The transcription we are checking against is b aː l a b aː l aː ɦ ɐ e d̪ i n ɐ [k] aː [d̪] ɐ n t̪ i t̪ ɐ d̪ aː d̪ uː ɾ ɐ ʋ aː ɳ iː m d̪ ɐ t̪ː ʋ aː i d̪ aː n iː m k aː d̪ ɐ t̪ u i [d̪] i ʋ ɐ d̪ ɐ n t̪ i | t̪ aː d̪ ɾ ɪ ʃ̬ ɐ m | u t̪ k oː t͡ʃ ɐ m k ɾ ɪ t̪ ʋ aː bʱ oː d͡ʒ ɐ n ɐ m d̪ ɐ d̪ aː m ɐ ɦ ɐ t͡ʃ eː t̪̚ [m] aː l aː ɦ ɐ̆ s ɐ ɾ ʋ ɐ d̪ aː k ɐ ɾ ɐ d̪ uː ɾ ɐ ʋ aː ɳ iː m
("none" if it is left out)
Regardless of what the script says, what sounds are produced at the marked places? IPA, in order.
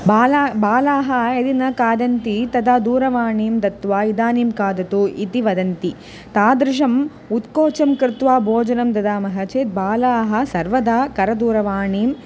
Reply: k, d̪, t̪, b

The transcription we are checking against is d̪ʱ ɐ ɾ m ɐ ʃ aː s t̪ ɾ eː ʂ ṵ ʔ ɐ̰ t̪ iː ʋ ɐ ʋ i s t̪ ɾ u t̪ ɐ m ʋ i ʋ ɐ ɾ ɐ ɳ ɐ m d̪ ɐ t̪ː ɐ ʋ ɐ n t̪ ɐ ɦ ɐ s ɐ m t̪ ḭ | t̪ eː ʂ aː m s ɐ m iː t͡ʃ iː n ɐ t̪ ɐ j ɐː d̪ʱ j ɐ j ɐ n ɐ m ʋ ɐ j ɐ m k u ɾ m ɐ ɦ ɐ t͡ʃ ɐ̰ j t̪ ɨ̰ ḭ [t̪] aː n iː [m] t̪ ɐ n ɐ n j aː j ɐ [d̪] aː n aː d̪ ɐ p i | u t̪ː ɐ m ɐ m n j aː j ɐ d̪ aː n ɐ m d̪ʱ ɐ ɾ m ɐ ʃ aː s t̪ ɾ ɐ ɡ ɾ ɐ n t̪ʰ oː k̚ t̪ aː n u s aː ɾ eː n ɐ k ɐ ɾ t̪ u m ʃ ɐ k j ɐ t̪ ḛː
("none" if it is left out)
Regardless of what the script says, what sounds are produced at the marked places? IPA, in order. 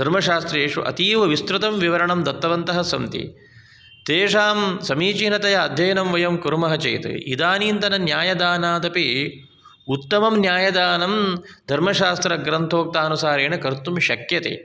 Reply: d̪, n, d̪

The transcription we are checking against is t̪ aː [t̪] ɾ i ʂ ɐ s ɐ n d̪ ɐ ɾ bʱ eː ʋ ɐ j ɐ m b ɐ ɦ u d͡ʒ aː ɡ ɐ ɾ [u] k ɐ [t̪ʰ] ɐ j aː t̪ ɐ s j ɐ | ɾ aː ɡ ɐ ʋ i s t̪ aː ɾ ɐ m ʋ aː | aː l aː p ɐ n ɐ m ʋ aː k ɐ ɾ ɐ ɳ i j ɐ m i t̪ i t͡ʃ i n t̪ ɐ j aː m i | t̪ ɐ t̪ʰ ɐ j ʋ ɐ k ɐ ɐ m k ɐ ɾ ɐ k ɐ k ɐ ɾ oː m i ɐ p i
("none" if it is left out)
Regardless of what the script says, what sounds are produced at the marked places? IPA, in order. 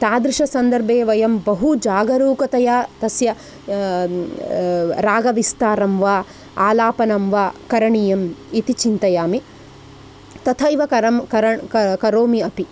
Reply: d̪, uː, t̪

